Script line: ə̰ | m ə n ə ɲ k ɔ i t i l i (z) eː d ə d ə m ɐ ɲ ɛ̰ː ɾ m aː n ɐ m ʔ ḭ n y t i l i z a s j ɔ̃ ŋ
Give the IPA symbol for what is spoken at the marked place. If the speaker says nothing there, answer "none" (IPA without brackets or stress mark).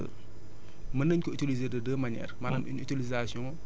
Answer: z